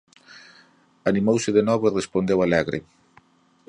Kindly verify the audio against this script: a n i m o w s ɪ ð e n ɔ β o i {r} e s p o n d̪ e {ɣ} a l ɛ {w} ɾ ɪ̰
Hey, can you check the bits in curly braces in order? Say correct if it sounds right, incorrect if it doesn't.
correct, incorrect, incorrect

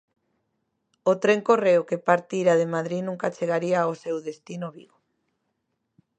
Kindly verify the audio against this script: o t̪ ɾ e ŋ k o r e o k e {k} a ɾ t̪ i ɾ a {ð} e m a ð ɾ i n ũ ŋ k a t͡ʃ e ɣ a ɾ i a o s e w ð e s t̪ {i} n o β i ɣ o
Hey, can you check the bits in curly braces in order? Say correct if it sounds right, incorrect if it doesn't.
incorrect, correct, correct

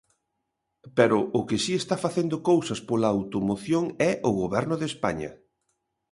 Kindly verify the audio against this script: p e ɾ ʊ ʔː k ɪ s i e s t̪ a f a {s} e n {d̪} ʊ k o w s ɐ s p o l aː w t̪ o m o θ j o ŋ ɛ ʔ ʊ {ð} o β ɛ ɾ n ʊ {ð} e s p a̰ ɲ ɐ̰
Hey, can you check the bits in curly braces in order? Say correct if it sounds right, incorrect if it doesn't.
incorrect, correct, incorrect, correct

